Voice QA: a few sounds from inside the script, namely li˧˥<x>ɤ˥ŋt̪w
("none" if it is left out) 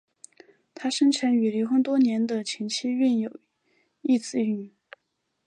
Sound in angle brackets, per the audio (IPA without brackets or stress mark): x